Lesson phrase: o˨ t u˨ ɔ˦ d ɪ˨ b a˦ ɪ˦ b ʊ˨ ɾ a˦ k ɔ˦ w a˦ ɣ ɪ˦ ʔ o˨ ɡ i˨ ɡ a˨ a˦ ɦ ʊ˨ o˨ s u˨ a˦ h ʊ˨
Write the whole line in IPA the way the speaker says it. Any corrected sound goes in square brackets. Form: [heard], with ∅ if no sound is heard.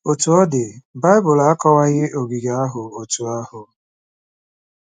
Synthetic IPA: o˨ t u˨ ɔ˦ d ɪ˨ b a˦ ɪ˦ b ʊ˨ [l] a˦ k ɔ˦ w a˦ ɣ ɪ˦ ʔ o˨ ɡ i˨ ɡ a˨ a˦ ɦ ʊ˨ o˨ [t] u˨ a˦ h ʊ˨

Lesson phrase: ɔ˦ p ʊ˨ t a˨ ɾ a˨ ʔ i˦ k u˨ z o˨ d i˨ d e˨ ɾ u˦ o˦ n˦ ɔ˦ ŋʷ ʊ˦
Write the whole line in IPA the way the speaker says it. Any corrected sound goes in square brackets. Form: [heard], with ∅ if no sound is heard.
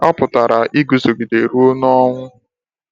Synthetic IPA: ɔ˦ p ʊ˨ t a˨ ɾ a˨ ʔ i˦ [ɡ] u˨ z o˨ [ɡ] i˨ d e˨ ɾ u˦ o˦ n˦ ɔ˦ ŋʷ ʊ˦

